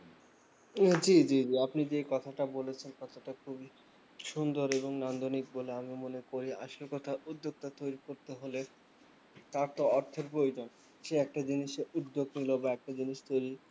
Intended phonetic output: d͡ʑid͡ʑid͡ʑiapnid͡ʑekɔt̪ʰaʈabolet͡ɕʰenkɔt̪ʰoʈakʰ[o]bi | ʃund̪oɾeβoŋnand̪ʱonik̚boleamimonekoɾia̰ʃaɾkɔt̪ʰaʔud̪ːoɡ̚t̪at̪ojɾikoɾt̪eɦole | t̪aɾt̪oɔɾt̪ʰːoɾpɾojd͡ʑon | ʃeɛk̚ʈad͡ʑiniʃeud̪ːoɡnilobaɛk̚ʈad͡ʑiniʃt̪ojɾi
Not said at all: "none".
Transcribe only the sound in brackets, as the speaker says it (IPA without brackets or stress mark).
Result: u